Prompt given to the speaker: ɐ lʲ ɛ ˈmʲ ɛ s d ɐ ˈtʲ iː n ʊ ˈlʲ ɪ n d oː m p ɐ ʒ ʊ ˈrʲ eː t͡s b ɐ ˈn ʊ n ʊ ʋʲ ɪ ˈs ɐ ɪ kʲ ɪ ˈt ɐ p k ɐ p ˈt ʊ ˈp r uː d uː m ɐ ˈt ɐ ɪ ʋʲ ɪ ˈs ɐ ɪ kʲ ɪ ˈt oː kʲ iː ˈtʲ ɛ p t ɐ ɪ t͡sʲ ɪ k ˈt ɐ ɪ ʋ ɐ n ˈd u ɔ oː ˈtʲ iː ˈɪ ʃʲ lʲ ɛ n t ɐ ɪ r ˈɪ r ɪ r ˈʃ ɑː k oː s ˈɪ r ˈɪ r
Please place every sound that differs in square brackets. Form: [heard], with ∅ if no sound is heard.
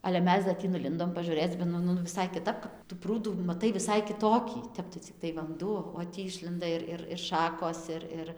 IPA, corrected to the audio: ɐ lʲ ɛ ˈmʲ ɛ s d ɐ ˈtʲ iː n ʊ ˈlʲ ɪ n d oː m p ɐ ʒ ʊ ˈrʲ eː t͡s b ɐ ˈn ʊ n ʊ ʋʲ ɪ ˈs ɐ ɪ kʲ ɪ ˈt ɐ p k ɐ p ˈt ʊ ˈp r uː d uː m ɐ ˈt ɐ ɪ ʋʲ ɪ ˈs ɐ ɪ kʲ ɪ ˈt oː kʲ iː ˈtʲ ɛ p t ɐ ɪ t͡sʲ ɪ k ˈt ɐ ɪ ʋ ɐ n ˈd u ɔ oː ˈtʲ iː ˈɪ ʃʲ lʲ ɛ n [d] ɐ ɪ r ˈɪ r ɪ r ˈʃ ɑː k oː s ˈɪ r ˈɪ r